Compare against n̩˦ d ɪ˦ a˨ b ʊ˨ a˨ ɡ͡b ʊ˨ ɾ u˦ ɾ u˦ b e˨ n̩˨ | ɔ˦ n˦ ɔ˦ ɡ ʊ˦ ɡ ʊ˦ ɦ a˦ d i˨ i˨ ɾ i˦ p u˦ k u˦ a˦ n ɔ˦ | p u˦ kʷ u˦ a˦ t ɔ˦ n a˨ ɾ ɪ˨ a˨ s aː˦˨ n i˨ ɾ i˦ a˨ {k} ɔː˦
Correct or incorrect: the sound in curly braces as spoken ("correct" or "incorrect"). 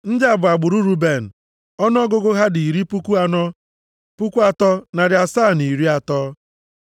incorrect